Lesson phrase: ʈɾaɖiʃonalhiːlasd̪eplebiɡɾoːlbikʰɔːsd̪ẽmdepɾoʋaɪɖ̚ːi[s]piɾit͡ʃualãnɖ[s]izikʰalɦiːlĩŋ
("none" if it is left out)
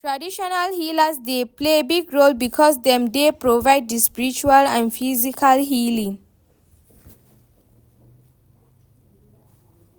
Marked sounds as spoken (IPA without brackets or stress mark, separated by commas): s, f